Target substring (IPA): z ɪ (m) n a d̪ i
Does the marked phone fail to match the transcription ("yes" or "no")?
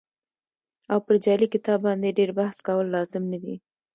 no